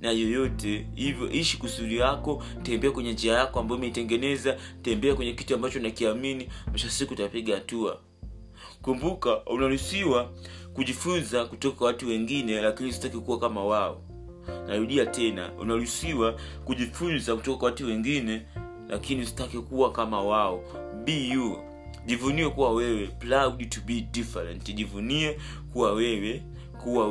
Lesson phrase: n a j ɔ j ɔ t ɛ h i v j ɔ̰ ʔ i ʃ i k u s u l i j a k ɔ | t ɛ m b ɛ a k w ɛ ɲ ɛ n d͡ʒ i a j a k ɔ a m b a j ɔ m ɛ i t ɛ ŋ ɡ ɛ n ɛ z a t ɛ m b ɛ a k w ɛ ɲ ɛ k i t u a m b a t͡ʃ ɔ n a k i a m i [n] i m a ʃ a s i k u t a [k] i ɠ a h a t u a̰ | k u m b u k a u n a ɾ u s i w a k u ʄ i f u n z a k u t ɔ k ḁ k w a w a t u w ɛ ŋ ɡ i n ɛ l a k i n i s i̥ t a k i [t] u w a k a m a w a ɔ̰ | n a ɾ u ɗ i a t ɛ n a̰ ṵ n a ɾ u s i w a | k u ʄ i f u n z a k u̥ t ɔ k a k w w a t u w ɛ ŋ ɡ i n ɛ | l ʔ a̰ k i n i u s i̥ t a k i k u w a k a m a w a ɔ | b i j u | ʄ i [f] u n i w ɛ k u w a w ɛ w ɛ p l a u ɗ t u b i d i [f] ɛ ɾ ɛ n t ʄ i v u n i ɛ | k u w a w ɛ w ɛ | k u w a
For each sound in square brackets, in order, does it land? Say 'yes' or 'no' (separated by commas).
yes, no, no, no, yes